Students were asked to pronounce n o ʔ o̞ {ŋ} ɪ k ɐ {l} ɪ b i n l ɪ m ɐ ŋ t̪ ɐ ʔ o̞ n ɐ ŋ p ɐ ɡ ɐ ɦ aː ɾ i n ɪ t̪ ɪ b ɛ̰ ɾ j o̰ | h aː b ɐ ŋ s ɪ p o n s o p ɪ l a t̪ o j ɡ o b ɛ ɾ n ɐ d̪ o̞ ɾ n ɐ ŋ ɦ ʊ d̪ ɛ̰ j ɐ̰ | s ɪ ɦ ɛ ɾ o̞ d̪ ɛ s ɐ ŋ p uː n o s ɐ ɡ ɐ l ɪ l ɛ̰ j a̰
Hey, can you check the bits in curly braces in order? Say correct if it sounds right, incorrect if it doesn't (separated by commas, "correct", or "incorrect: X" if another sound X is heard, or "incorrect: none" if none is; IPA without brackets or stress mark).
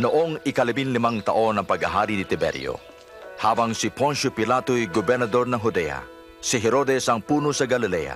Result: correct, correct